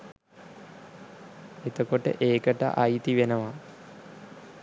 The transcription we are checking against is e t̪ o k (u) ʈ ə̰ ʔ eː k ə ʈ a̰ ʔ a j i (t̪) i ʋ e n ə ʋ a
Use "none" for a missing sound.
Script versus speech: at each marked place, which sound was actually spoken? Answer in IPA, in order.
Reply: o, t̪

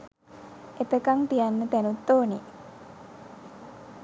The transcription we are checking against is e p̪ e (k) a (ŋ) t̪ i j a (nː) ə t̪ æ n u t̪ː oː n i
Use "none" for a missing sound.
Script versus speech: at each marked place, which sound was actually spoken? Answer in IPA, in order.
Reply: k, ŋ, nː

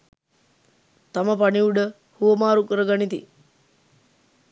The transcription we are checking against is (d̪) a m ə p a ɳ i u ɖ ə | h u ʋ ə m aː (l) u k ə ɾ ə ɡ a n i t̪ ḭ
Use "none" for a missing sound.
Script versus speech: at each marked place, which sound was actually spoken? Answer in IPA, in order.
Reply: t̪, ɾ

